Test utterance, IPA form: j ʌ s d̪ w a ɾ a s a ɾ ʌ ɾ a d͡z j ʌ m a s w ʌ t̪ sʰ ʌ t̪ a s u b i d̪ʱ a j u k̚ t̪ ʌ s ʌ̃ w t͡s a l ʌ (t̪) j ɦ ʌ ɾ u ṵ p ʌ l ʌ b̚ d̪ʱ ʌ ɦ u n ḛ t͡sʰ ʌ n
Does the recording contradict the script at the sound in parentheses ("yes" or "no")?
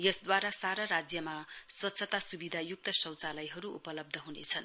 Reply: yes